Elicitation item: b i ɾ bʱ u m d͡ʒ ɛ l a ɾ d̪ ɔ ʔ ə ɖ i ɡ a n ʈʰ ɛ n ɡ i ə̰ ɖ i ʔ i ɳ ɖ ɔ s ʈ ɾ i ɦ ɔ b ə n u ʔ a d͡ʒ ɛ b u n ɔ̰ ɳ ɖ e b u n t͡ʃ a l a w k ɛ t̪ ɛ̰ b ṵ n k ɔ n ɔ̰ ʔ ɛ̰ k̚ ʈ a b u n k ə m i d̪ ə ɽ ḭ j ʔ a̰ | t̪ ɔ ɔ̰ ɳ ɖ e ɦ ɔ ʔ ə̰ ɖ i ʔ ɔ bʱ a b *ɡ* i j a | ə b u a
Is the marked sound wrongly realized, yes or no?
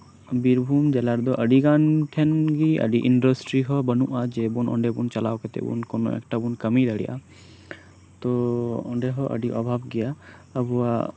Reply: no